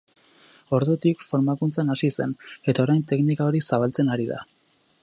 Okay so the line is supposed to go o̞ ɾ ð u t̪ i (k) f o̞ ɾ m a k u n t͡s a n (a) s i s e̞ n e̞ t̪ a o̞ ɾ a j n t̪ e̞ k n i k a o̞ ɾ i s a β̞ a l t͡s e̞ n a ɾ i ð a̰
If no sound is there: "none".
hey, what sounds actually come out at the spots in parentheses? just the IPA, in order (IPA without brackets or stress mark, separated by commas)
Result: k, a